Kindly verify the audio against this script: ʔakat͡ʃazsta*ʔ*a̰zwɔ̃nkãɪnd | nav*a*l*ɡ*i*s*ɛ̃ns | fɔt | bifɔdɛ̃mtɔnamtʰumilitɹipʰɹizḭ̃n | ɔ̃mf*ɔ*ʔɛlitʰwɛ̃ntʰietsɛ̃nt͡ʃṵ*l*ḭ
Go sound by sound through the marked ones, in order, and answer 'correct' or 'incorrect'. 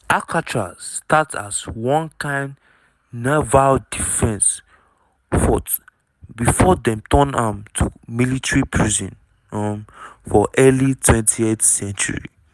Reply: incorrect: t, correct, incorrect: d, incorrect: f, correct, incorrect: ɹ

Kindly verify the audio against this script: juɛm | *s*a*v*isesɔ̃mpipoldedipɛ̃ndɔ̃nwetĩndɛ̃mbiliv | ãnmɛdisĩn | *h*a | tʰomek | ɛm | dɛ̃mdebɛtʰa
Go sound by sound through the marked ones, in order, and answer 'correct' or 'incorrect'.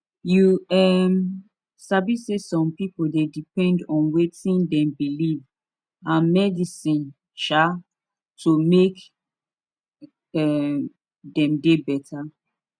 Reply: correct, incorrect: b, incorrect: ʃ

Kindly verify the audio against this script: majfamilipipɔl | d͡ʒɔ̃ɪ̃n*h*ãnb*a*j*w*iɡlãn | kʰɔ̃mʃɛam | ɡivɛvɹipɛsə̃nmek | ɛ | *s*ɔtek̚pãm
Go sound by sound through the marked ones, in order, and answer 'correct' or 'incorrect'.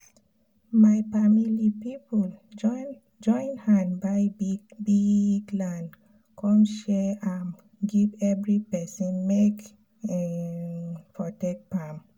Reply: correct, correct, incorrect: b, incorrect: f

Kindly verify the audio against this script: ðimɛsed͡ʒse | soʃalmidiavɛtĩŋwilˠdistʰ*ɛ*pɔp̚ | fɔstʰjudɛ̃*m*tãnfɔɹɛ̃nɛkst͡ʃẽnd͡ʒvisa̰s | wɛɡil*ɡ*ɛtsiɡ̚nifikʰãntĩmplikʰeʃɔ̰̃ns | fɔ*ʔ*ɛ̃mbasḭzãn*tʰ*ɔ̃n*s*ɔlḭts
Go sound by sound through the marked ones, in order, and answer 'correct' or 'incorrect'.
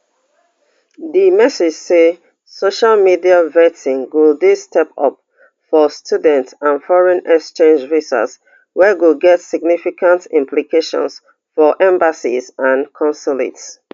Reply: correct, incorrect: n, correct, correct, incorrect: kʰ, correct

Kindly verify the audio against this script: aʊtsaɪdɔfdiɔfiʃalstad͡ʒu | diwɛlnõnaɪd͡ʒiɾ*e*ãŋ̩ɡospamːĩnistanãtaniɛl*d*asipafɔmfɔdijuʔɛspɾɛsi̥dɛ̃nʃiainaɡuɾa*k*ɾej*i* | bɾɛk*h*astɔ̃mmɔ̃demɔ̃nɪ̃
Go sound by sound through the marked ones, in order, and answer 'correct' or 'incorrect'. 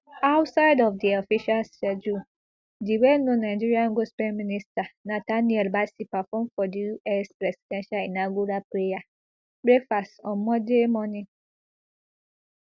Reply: incorrect: i, incorrect: b, incorrect: p, incorrect: a, incorrect: f

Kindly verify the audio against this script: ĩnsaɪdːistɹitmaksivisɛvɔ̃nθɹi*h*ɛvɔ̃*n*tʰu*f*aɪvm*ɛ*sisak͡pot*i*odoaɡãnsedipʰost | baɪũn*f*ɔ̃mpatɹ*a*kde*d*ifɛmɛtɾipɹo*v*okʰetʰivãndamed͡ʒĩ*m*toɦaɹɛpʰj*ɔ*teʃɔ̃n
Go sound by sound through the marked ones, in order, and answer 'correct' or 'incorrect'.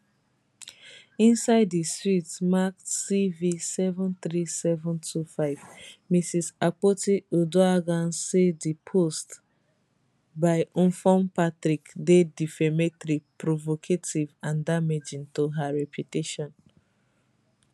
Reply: incorrect: s, correct, correct, incorrect: i, correct, correct, incorrect: i, correct, correct, incorrect: n, incorrect: u

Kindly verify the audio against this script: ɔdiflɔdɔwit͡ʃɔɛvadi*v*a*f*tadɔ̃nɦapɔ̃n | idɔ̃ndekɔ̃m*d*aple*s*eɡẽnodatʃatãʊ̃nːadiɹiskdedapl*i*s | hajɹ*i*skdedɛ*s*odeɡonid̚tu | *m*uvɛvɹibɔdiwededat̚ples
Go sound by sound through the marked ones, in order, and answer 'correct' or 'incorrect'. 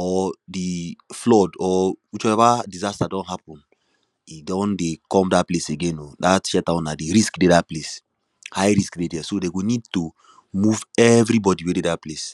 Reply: incorrect: z, incorrect: s, correct, correct, incorrect: e, correct, correct, correct

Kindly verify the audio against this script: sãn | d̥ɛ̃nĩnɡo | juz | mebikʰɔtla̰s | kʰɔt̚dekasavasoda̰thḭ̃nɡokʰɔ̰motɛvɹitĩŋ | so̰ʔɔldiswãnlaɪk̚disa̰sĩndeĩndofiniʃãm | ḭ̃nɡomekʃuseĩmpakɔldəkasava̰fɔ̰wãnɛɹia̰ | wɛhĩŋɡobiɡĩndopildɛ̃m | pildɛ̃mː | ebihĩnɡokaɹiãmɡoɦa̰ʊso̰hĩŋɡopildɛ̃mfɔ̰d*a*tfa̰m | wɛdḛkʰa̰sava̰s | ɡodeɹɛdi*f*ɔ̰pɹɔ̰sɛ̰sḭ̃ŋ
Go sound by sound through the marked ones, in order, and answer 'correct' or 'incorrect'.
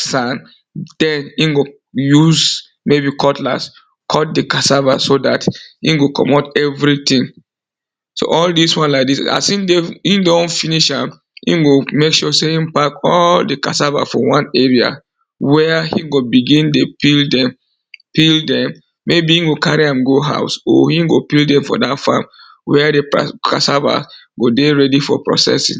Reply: correct, correct

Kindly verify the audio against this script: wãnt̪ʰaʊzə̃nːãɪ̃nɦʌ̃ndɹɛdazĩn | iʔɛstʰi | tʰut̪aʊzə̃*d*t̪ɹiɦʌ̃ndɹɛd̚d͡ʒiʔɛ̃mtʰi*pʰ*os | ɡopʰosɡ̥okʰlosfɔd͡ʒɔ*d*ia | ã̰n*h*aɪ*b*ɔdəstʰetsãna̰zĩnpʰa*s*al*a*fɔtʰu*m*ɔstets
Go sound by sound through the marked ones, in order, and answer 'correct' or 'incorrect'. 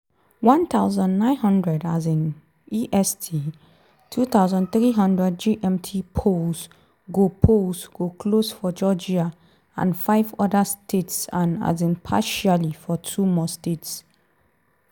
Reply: incorrect: n, correct, incorrect: d͡ʒ, incorrect: f, incorrect: v, incorrect: ʃ, incorrect: i, correct

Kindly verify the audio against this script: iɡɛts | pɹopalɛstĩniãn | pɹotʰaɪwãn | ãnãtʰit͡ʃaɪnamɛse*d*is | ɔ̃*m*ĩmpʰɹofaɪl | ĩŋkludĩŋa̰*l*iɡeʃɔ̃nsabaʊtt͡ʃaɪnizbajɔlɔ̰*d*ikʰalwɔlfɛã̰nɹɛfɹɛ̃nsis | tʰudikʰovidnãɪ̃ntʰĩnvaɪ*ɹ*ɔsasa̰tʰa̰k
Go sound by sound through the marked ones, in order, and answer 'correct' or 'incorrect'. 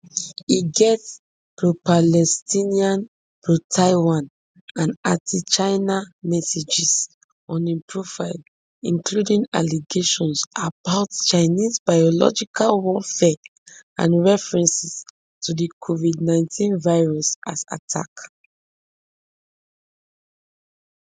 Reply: incorrect: d͡ʒ, incorrect: n, correct, incorrect: d͡ʒ, correct

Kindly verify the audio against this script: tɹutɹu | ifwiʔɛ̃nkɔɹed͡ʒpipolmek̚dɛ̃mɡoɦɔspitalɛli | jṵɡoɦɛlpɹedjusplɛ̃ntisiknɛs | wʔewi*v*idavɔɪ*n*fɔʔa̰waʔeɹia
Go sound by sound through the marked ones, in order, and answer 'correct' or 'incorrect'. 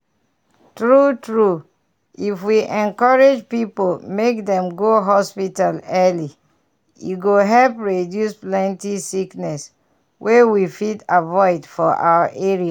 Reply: incorrect: f, incorrect: d

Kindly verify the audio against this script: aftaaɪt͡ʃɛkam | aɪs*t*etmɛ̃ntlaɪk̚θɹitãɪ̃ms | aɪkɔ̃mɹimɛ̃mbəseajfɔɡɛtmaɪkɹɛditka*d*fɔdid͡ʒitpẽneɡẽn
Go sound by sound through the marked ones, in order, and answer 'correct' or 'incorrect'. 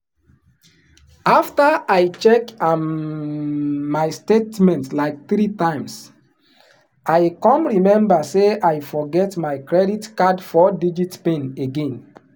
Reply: correct, correct

